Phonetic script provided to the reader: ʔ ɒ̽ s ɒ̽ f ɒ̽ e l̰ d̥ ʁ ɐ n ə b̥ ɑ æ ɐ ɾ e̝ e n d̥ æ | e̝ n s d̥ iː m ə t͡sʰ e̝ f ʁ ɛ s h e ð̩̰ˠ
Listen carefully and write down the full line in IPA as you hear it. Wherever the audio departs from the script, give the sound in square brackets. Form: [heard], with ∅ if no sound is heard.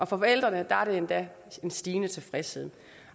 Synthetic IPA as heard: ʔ ɒ̽ [f] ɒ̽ f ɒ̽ e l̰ d̥ ʁ ɐ n ə [d̥] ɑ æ ɐ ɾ e̝ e n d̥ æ | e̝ n s d̥ iː [n] ə t͡sʰ e̝ f ʁ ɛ s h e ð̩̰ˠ

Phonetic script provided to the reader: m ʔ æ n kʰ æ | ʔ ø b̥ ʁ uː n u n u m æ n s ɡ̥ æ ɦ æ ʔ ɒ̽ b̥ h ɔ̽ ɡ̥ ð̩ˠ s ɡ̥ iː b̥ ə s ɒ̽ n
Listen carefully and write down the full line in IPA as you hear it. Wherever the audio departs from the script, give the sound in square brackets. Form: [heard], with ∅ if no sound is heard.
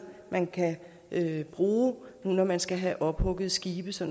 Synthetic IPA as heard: m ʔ æ n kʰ æ | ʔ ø b̥ ʁ uː n u n [ɒ] m æ n s ɡ̥ æ ɦ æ ʔ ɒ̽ b̥ h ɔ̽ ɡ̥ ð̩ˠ s ɡ̥ iː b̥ ə s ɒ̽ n

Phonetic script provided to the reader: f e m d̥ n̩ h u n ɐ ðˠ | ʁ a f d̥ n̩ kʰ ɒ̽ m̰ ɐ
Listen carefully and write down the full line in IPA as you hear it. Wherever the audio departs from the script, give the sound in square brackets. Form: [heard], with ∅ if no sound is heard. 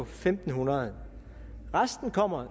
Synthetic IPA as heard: f e m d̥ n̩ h u n ɐ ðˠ | ʁ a [s] d̥ n̩ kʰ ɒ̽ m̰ ɐ

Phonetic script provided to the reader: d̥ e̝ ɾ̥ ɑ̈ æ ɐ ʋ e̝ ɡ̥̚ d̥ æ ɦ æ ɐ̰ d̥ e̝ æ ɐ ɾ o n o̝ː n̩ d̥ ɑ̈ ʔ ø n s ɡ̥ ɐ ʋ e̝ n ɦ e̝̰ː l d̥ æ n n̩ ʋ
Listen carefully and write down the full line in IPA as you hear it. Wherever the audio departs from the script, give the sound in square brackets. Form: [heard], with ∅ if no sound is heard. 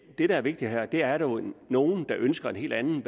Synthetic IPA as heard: d̥ e̝ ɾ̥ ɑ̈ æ ɐ ʋ e̝ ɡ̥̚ d̥ [i] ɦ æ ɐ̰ d̥ e̝ æ ɐ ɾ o n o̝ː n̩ d̥ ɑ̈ ʔ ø n s ɡ̥ ɐ [∅] e̝ n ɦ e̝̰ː l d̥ æ n n̩ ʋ

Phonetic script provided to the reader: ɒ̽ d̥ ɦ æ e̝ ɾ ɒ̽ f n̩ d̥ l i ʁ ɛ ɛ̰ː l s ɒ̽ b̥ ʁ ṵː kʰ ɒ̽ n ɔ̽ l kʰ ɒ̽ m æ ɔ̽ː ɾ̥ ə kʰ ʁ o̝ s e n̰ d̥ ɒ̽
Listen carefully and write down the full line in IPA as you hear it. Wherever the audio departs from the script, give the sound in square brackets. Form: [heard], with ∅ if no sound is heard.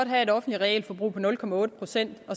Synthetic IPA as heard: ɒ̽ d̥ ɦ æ e̝ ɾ ɒ̽ f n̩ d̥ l i ʁ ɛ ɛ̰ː l [f] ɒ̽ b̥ ʁ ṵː [pʰ] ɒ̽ n ɔ̽ l kʰ ɒ̽ m æ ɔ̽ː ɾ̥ ə [pʰ] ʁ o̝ s e n̰ d̥ ɒ̽

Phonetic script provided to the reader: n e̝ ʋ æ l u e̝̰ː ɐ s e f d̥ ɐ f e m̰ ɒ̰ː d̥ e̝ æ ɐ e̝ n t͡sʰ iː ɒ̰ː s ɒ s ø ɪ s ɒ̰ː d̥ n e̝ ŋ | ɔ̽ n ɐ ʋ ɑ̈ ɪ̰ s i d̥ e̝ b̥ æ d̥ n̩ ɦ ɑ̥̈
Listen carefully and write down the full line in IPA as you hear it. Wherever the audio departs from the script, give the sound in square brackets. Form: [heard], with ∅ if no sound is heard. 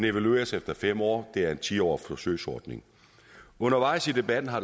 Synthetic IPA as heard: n e̝ ʋ æ l u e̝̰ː ɐ s e f d̥ ɐ f e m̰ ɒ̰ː d̥ e̝ æ ɐ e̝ n t͡sʰ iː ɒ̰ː [f] ɒ s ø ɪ s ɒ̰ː d̥ n e̝ ŋ | ɔ̽ n ɐ ʋ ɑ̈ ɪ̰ s i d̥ e̝ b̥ æ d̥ n̩ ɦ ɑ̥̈

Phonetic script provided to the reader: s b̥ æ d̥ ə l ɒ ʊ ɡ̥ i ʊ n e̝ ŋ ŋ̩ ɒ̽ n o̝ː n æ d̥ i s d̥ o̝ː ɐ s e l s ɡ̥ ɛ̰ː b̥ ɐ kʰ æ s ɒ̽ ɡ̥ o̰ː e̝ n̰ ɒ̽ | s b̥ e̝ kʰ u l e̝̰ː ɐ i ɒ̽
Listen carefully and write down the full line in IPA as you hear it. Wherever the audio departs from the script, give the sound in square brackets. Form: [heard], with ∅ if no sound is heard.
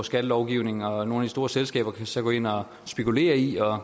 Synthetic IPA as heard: s [ɡ̥] æ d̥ ə l ɒ ʊ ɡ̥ i ʊ n e̝ ŋ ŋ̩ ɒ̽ n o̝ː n æ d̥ i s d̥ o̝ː ɐ s e l s ɡ̥ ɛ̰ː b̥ ɐ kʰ æ s ɒ̽ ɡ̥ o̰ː e̝ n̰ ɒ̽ | s b̥ e̝ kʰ u l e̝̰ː ɐ i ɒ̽

